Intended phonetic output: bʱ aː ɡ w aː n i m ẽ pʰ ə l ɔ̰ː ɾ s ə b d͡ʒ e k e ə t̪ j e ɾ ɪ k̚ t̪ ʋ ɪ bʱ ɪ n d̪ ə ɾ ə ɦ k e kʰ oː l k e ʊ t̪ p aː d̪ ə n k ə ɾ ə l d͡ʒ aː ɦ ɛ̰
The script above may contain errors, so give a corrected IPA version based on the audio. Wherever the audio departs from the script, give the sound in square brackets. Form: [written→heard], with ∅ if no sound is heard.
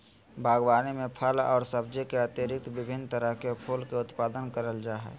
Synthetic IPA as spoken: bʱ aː ɡ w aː n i m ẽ pʰ ə l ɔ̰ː ɾ s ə b d͡ʒ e k e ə t̪ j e ɾ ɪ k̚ t̪ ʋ ɪ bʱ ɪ n [d̪→t̪] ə ɾ ə ɦ k e [kʰ→pʰ] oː l k e ʊ t̪ p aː d̪ ə n k ə ɾ ə l d͡ʒ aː ɦ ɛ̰